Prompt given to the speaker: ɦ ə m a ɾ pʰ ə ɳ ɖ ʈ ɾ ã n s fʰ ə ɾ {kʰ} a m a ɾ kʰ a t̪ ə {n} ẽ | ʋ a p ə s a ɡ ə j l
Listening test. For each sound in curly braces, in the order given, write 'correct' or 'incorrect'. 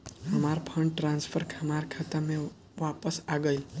correct, incorrect: m

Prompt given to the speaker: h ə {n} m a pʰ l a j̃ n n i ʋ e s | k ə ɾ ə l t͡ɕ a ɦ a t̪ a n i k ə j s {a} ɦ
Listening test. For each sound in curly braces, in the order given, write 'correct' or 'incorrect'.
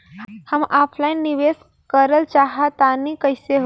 incorrect: none, incorrect: e

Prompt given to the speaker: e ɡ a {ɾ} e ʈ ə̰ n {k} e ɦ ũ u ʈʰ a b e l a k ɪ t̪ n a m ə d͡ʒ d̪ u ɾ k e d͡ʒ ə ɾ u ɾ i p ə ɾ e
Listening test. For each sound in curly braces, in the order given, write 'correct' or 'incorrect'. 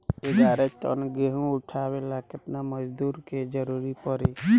correct, incorrect: ɡ

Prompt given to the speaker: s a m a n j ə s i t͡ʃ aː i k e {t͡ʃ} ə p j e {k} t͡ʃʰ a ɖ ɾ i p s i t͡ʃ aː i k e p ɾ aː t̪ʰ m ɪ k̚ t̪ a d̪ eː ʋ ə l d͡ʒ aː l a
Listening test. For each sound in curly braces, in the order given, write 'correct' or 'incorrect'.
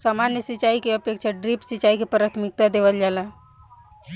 incorrect: none, correct

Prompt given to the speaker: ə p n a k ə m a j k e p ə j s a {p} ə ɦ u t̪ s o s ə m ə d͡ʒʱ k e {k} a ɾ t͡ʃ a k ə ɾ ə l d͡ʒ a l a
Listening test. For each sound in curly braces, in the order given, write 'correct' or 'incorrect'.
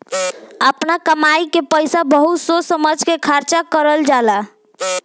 incorrect: b, incorrect: kʰ

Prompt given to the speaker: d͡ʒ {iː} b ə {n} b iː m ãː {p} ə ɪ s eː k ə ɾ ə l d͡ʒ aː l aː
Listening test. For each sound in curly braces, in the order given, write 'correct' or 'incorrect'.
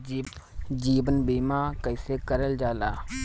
correct, correct, incorrect: k

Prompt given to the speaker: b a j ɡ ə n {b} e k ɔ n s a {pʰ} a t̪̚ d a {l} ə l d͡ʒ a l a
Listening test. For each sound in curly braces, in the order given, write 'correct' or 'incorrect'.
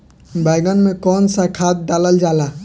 incorrect: m, incorrect: kʰ, correct

